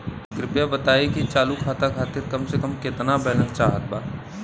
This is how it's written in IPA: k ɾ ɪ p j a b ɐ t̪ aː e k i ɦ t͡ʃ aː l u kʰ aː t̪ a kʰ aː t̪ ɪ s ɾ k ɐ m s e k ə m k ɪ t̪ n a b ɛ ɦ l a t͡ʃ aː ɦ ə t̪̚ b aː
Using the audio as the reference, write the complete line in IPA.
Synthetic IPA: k ɾ ɪ p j a b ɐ t̪ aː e k i t͡ʃ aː l u kʰ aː t̪ a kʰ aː t̪ ɪ ɾ k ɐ m s e k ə m k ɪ t̪ n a b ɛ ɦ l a t͡ʃ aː ɦ ə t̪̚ b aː